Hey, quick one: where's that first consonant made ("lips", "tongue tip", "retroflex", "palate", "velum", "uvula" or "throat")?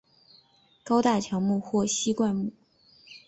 velum